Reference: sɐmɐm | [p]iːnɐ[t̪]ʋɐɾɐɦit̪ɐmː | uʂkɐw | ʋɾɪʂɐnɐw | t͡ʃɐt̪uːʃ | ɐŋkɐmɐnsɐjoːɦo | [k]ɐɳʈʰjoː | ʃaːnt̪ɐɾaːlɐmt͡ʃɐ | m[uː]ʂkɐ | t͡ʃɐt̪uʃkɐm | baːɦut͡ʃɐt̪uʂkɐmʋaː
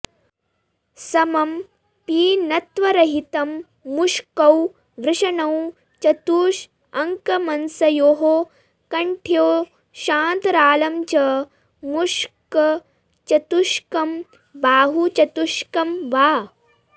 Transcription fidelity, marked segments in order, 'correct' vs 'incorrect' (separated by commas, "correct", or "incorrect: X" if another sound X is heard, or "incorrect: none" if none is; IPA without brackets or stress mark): correct, correct, correct, incorrect: u